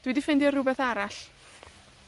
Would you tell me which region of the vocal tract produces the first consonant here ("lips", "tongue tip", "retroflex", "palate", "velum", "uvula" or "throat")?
tongue tip